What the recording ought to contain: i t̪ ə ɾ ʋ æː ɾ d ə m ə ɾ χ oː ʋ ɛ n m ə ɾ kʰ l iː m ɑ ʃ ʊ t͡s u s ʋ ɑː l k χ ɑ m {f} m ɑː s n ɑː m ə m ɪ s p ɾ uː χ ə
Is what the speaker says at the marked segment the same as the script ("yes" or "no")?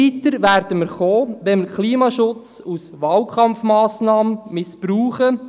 yes